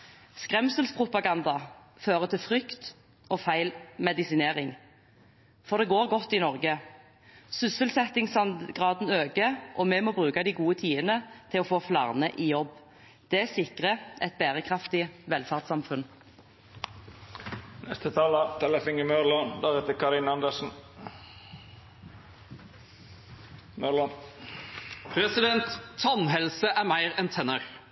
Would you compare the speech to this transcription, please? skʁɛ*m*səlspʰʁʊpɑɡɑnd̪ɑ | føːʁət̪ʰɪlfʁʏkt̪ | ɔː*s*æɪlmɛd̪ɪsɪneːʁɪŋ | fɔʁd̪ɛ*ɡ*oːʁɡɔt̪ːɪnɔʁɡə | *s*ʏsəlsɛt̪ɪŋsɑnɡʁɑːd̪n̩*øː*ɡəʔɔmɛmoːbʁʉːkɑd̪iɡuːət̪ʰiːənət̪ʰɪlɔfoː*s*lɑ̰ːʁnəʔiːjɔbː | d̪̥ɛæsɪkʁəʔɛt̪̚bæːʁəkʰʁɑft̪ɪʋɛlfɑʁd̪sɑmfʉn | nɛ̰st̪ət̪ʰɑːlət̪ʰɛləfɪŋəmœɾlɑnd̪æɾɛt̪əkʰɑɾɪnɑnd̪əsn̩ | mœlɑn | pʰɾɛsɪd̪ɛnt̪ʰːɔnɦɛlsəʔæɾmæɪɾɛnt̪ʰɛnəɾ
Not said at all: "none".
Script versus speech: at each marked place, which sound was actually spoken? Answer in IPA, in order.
m, f, ɡ, s, øː, f

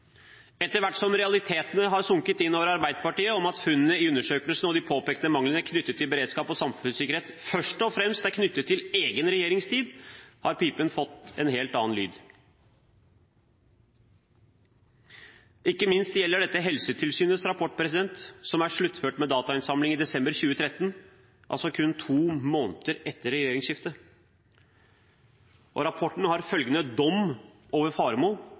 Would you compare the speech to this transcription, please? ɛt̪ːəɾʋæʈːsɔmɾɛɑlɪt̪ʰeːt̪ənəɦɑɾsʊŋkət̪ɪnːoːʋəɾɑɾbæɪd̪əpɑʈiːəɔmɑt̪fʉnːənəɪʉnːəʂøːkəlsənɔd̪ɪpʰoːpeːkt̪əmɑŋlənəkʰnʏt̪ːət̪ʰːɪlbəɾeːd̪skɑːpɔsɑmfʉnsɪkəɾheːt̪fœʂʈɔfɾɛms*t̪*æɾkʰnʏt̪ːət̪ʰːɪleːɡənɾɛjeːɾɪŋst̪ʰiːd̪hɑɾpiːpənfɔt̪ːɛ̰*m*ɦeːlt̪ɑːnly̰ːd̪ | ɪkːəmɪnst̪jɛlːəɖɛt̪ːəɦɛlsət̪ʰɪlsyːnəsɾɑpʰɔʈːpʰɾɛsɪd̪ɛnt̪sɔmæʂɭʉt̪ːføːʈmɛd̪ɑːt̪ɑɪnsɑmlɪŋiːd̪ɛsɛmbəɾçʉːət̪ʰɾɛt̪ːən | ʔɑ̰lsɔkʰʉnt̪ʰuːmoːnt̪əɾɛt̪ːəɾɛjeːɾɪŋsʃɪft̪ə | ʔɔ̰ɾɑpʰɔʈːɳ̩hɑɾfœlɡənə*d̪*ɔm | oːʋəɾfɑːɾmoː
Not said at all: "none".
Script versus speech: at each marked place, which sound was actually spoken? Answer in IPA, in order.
t̪, n, d̪

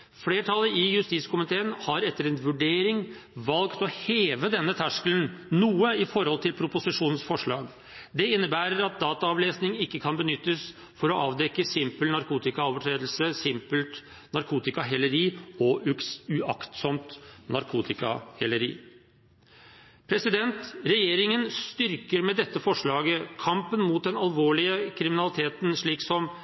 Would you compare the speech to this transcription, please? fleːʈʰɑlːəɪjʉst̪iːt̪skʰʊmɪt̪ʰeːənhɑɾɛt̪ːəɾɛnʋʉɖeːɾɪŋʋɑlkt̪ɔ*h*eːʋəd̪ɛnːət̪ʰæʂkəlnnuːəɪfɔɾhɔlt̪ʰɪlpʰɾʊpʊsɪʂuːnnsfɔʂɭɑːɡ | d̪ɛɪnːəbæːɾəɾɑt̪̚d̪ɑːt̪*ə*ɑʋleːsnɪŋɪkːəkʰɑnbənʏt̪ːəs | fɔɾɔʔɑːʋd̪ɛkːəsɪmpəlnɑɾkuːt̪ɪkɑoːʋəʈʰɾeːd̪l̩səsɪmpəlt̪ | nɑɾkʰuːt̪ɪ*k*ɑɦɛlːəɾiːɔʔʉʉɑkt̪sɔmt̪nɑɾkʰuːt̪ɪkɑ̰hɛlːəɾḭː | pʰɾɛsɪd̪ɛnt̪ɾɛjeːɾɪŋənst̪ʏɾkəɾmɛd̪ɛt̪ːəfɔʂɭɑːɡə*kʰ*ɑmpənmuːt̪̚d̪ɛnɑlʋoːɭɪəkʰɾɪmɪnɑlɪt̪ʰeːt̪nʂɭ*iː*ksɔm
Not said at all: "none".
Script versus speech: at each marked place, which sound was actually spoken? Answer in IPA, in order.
h, ɑ, k, kʰ, iː

